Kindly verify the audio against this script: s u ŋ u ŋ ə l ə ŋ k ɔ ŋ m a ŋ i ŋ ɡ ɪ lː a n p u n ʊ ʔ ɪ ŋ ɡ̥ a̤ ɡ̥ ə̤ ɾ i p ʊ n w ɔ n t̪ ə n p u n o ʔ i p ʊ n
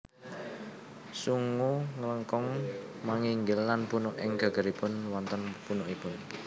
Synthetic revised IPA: s u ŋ u ŋ ə l ə ŋ k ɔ ŋ m a ŋ i ŋ ɡ ɪ lː a n p u n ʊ ʔ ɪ ŋ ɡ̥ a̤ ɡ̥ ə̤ ɾ i p ʊ n w ɔ n t̪ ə n p u n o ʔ i p ʊ n